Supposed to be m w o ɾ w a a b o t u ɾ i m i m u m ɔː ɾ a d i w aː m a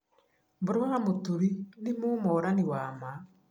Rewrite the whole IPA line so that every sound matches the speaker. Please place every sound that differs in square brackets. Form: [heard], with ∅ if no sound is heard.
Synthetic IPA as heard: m [b] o ɾ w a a [m] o t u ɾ i [n] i m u m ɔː ɾ a [n] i w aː m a